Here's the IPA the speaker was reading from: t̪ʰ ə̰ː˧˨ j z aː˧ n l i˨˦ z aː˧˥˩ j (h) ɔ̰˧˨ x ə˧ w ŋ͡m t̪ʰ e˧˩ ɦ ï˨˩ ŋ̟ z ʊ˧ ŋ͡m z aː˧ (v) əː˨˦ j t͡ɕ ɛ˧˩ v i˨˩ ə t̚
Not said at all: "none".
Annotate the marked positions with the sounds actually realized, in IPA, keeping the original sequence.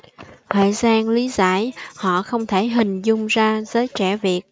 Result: h, z

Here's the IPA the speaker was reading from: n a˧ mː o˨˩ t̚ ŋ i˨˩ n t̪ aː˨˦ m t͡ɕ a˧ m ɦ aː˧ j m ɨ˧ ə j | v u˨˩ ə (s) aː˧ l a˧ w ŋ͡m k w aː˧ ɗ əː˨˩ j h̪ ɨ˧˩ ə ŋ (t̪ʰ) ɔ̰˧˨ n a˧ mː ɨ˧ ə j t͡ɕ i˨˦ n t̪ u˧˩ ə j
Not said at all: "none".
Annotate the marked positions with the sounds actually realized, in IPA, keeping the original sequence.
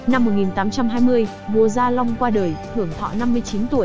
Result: z, t̪ʰ

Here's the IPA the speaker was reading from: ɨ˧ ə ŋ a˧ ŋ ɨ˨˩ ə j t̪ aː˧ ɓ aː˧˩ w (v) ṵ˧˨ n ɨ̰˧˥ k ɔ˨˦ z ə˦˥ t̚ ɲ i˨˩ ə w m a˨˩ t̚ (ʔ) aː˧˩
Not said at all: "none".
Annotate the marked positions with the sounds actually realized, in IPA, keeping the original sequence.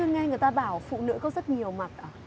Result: f, ʔ

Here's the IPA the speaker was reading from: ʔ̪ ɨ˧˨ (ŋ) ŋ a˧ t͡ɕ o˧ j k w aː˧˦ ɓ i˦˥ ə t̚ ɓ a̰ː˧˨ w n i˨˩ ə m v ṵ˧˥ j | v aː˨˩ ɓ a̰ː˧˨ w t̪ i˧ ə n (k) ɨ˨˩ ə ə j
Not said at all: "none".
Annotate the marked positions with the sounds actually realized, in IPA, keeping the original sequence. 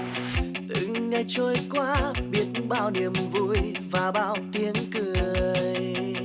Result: ŋ, k

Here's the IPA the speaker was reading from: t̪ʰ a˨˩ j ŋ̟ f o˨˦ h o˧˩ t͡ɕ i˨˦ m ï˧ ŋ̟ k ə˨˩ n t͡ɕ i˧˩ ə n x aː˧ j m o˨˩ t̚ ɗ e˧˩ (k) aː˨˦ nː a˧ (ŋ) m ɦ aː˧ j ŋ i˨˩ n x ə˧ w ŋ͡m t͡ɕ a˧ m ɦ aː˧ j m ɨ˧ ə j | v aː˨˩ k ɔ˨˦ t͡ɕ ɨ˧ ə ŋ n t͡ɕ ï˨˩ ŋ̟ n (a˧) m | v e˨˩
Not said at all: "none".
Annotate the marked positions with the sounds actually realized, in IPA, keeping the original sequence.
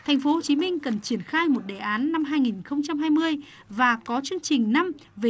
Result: ʔ, none, a˧

